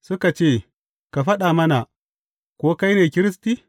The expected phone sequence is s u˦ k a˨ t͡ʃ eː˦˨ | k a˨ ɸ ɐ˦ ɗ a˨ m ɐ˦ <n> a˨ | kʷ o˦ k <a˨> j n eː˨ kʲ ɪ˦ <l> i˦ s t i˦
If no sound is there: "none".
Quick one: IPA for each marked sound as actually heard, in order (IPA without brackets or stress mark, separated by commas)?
n, a˦, ɾ